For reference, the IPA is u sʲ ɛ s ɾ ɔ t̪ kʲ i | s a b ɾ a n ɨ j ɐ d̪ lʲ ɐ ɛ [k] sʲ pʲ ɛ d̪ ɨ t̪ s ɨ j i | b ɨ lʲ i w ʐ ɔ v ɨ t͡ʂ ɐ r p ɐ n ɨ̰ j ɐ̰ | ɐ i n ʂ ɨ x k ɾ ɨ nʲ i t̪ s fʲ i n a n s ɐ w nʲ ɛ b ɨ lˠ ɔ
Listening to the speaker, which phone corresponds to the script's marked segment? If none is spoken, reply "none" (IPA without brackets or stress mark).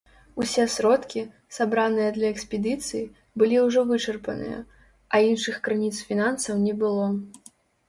k